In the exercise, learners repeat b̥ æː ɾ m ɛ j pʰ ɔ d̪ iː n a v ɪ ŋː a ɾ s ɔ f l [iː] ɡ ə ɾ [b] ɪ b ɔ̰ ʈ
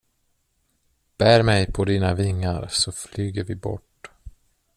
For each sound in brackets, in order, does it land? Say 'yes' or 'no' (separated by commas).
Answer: no, no